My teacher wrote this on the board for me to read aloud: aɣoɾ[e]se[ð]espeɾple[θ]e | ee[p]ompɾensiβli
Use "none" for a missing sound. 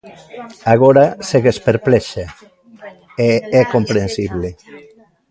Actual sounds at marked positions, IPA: a, ɣ, ʃ, k

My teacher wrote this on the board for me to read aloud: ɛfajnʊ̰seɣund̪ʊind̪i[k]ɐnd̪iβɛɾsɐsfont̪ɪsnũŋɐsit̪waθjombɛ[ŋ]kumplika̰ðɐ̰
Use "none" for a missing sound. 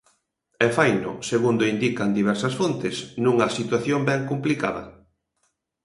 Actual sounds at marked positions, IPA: k, ŋ

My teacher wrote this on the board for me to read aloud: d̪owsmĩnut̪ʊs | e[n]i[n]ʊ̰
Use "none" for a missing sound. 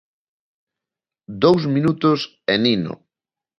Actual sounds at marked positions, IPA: n, n

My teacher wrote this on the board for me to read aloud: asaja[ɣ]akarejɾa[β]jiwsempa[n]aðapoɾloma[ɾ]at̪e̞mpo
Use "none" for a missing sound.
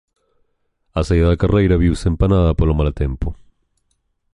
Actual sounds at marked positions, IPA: ð, β, n, l

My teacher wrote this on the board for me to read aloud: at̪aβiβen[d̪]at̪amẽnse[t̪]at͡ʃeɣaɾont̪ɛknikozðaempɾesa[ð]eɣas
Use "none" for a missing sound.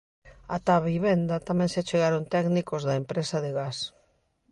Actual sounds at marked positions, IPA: d̪, none, ð

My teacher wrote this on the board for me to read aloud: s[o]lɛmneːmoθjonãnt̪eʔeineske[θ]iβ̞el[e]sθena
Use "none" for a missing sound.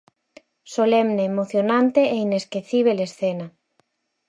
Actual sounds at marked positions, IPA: o, θ, e

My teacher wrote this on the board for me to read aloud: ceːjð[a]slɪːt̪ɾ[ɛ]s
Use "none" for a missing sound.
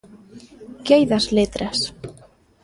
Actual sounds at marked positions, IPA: a, ɛ

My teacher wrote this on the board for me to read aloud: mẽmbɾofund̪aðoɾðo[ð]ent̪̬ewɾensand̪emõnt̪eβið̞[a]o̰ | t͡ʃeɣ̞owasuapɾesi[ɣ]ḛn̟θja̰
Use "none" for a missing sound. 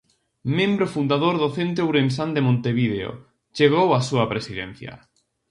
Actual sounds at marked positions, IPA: θ, e, ð

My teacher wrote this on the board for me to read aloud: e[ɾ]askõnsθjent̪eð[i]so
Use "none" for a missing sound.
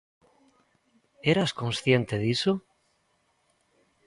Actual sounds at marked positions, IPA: ɾ, i

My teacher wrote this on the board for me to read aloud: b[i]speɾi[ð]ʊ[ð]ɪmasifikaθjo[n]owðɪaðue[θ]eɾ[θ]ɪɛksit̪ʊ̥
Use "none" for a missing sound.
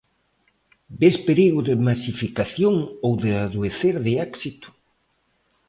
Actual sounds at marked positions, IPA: e, ɣ, ð, ŋ, θ, ð

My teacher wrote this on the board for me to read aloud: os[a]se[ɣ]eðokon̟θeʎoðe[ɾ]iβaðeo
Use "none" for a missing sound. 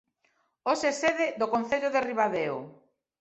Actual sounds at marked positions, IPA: e, ð, r

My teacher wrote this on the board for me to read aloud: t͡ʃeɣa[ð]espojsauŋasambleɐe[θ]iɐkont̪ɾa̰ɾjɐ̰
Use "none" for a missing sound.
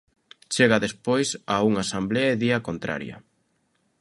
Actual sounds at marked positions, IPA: ð, ð

